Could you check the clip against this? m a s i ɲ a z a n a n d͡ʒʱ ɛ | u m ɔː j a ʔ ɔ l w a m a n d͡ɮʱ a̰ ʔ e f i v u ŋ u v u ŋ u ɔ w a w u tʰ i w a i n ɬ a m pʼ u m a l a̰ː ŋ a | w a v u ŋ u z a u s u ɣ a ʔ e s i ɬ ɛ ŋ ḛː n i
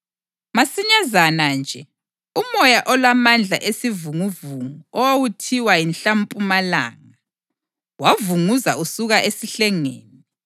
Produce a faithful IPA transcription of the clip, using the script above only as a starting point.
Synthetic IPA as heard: m a s i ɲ a z a n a n d͡ʒʱ ɛ | u m ɔ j a ʔ ɔ l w a m a n d͡ɮʱ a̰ ʔ e s i v u ŋ u v u ŋ u ɔ w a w u tʰ i w a i n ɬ a m pʼ u m a l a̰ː ŋ a | w a v u ŋ u z a u s u ɣ a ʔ e s i ɬ ɛ ŋ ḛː n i